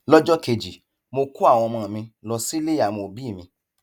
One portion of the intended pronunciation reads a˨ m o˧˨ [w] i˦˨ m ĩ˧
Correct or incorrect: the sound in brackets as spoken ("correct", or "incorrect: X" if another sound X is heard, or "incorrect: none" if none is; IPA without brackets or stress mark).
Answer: incorrect: b